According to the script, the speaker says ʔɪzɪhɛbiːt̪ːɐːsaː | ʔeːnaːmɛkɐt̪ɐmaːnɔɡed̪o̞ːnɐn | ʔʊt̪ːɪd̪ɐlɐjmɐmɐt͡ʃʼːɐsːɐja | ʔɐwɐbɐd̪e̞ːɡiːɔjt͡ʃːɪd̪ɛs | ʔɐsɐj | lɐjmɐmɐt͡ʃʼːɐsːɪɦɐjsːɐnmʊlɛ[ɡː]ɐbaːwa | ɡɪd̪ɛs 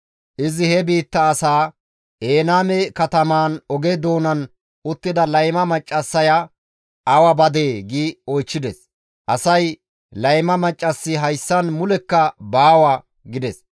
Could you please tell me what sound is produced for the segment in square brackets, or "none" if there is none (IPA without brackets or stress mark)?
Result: kː